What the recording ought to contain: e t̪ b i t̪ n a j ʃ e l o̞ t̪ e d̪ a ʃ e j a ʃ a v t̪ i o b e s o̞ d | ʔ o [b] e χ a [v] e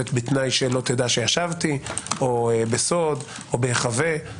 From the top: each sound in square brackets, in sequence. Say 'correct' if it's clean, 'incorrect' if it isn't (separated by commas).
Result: correct, correct